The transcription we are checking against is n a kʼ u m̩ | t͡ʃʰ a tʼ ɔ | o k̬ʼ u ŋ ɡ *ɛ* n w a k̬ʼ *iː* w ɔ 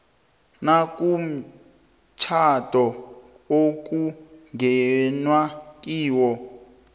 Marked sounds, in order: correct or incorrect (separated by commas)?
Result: correct, correct